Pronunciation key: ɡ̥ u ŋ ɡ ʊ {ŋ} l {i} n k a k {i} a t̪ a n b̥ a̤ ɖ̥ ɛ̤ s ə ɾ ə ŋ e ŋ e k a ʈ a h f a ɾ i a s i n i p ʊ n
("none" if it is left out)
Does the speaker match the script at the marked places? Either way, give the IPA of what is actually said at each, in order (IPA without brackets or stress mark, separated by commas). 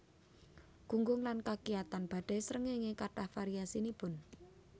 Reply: ŋ, a, i